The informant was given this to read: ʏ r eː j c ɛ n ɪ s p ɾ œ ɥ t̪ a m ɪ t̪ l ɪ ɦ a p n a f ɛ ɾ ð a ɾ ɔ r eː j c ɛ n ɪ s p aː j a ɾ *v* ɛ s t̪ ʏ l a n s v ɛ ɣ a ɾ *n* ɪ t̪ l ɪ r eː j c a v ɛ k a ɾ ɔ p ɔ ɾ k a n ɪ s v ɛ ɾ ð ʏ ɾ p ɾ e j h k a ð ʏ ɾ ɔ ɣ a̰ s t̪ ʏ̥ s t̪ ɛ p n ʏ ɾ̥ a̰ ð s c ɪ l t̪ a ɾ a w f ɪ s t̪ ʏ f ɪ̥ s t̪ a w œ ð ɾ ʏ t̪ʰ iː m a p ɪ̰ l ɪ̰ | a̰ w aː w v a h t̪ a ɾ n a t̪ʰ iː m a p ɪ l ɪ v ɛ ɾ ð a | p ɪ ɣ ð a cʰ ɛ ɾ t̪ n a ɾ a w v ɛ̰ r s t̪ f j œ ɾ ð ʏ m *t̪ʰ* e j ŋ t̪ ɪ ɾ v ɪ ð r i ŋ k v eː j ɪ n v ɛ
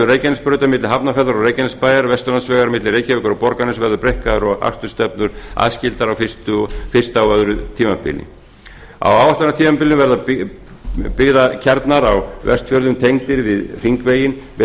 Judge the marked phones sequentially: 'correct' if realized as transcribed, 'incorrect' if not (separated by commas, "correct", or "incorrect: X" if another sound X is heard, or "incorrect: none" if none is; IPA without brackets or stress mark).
correct, incorrect: m, correct